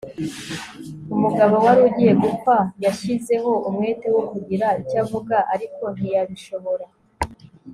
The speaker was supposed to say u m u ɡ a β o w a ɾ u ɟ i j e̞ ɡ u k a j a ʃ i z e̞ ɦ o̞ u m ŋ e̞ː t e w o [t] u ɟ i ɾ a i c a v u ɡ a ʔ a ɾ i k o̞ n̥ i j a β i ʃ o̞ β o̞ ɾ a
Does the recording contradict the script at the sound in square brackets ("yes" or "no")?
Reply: yes